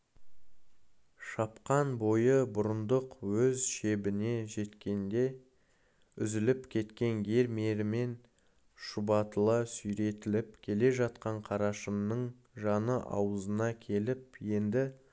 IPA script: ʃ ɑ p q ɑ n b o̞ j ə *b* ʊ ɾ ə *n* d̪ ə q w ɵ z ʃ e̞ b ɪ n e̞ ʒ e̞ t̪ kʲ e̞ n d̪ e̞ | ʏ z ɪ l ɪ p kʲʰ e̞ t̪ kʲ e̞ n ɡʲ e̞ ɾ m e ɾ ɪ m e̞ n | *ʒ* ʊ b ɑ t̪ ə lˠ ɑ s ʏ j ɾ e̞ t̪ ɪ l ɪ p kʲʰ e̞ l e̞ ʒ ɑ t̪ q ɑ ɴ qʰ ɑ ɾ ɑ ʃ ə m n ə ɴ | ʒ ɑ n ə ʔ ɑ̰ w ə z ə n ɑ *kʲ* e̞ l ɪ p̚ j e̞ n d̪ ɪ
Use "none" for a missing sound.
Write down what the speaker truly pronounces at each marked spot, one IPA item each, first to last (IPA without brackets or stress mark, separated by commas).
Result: b, n, ʃ, kʲʰ